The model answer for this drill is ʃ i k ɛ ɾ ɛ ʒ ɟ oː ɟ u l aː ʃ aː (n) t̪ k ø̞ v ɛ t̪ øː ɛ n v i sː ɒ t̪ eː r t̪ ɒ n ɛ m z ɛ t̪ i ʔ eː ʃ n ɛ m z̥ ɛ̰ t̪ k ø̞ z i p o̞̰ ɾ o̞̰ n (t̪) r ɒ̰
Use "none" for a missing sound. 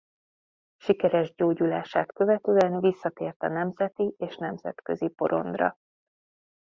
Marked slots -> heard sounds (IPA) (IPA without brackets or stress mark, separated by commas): none, d̪